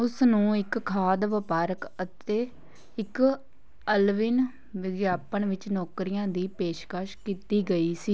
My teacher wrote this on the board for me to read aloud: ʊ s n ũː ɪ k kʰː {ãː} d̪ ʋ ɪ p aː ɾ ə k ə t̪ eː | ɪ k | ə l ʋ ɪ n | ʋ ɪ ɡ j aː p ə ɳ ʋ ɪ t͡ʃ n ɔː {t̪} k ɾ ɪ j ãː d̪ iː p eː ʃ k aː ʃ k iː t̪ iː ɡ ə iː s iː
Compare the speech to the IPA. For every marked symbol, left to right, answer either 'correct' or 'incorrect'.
incorrect, incorrect

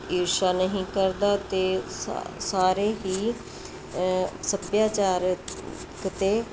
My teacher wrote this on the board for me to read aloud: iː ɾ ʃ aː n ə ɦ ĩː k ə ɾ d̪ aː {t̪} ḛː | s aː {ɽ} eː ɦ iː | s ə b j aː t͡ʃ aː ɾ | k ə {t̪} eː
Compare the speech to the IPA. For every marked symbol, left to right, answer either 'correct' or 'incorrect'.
correct, incorrect, correct

